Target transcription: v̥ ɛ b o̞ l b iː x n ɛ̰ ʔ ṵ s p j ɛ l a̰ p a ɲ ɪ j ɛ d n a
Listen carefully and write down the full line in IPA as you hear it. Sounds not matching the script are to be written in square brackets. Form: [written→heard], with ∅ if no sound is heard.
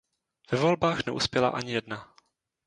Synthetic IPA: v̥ ɛ [b→v] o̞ l b [iː→aː] x n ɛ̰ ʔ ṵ s p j ɛ l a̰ [p→ʔ] a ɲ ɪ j ɛ d n a